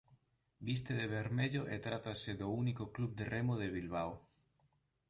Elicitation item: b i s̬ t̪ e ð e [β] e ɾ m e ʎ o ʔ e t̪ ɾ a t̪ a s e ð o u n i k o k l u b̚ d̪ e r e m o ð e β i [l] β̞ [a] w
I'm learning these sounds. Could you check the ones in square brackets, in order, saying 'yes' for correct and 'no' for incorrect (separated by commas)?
yes, yes, yes